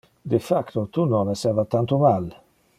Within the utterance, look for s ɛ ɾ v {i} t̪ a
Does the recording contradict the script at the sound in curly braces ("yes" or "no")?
yes